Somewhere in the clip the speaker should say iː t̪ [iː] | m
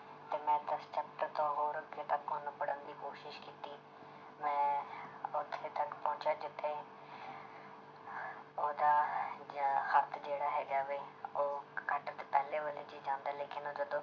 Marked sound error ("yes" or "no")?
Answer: no